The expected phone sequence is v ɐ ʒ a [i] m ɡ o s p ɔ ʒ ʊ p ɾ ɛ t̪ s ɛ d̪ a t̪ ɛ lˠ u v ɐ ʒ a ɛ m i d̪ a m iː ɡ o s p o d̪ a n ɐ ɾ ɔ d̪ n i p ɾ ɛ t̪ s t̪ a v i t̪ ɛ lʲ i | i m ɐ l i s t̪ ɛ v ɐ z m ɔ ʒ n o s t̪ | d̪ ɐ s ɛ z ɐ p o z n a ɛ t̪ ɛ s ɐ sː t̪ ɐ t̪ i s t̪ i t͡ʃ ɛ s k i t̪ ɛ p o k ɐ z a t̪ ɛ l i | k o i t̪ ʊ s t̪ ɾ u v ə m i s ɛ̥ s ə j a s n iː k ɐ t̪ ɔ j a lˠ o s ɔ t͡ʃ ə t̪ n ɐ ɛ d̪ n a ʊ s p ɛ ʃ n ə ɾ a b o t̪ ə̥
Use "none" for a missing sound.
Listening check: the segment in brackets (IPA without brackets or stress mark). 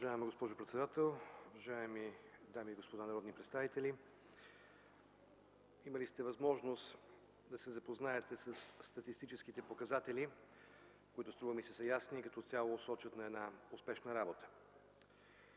ɛ